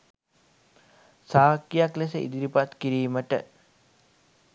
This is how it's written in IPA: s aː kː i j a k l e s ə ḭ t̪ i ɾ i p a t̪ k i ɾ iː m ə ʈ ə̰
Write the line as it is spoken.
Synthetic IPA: s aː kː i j a k l e s ə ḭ d̪ i ɾ i p a t̪ k i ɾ iː m ə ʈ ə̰